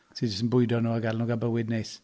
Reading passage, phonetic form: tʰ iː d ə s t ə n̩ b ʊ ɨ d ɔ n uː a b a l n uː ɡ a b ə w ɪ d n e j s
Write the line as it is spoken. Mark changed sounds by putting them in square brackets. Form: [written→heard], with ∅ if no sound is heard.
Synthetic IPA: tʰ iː [d→d͡ʒ] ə s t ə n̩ b ʊ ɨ d ɔ n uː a [b→ɡ] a l n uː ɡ a b ə w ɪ d n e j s